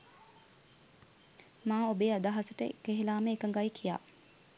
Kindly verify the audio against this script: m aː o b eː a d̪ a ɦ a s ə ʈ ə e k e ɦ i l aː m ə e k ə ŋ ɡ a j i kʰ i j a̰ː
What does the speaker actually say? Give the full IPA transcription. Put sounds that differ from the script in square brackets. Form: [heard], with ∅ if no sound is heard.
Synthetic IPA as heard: m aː o b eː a d̪ a ɦ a s ə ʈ ə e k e ɦ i l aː m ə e k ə ŋ ɡ a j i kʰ i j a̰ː